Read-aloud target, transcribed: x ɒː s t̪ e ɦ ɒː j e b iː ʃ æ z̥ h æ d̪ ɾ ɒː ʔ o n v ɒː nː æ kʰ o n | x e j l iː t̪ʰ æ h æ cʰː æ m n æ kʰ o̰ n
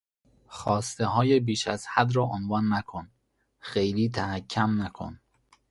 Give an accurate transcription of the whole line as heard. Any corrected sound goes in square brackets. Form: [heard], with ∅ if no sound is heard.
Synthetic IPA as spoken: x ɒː s t̪ e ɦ ɒː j e b iː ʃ æ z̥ h æ d̪ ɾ ɒː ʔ o n v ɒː nː æ kʰ o n | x e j l iː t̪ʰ æ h æ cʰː æ m n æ kʰ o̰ n